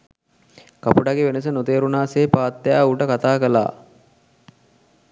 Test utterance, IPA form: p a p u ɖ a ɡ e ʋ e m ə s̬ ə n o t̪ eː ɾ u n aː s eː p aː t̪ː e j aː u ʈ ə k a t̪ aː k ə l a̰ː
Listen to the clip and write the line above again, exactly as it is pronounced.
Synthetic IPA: k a p u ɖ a ɡ e ʋ e n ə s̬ ə n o t̪ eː ɾ u n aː s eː p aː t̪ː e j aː u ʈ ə k a t̪ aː k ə l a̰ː

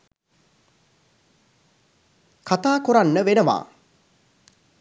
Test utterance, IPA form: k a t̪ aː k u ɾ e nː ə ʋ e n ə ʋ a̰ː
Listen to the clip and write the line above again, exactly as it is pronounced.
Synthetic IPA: k a t̪ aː k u ɾ a nː ə ʋ e n ə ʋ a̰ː

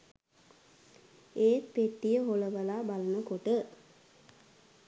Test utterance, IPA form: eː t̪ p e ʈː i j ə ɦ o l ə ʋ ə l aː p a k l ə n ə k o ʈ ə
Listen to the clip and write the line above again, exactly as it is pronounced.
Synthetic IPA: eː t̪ p e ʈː i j ə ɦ o l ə ʋ ə l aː b a l ə n ə k o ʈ ə

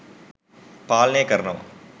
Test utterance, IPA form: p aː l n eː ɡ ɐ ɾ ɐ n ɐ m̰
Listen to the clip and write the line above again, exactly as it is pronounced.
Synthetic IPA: p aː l n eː k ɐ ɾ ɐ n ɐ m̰

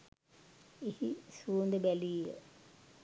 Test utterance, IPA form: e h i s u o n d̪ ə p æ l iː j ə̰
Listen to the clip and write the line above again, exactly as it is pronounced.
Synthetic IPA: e h i s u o n d̪ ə b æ l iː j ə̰

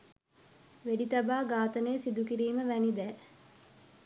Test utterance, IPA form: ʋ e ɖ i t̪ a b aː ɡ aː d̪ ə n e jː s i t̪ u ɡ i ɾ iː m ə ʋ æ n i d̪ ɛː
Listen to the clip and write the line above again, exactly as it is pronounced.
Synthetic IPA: ʋ e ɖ i t̪ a b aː ɡ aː t̪ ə n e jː s i d̪ u k i ɾ iː m ə ʋ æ n i d̪ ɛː

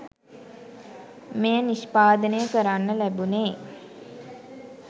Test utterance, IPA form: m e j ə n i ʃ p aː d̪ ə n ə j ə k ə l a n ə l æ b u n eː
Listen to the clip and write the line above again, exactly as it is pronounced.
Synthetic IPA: m e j ə n i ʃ p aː d̪ ə n ə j ə k ə ɾ a nː ə l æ b u n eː

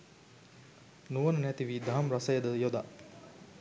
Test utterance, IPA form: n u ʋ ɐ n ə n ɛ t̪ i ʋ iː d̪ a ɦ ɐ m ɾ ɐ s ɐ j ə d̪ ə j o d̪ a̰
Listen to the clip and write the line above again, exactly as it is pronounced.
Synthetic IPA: n u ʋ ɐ n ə n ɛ t̪ i ʋ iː d̪ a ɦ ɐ m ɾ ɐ s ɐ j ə d̪ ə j o d̪ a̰

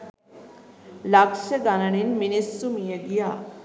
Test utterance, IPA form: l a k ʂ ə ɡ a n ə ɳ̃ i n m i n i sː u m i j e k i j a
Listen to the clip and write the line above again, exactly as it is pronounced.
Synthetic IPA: l a k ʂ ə ɡ a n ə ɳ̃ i n m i n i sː u m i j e ɡ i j a

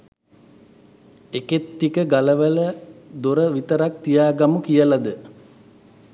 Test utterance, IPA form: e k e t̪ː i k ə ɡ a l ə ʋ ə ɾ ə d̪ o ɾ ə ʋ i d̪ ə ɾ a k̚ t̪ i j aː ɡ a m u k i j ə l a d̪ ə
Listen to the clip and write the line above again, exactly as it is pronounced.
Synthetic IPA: e k e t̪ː i k ə ɡ a l ə ʋ ə l ə d̪ o ɾ ə ʋ i t̪ ə ɾ a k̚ t̪ i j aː ɡ a m u k i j ə l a d̪ ə

